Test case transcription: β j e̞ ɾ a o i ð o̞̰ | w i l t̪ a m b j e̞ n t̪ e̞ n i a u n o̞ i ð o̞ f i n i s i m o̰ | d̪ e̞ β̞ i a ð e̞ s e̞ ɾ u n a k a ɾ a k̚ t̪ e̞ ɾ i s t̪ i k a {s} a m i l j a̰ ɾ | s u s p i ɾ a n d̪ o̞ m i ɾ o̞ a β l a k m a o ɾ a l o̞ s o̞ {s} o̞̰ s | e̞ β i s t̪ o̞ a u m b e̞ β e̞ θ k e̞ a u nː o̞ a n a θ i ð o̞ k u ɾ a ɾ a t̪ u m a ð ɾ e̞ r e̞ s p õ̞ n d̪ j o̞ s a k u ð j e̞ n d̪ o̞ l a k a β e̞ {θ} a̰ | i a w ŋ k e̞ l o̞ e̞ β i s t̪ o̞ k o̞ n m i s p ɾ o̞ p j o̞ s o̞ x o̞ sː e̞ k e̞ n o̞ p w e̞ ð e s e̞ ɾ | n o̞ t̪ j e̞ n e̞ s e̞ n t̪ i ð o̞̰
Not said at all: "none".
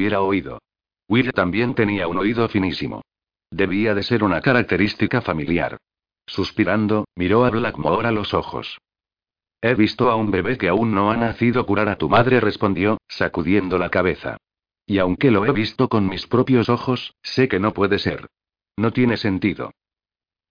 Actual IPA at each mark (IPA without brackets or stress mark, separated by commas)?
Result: f, x, θ